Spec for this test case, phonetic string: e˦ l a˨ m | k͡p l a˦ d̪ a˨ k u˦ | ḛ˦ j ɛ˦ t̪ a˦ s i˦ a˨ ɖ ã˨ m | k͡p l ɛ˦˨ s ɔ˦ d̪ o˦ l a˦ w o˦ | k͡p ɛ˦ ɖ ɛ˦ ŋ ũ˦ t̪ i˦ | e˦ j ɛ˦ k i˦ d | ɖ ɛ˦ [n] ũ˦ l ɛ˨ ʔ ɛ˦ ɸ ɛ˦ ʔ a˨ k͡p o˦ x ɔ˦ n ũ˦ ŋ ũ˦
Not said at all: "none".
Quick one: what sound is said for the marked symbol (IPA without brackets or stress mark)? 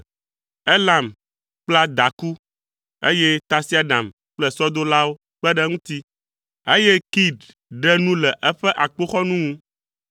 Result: n